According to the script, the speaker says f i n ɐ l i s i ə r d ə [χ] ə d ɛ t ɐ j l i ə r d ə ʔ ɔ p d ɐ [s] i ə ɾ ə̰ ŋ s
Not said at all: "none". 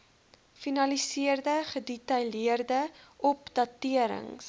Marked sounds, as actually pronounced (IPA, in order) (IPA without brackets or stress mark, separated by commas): χ, t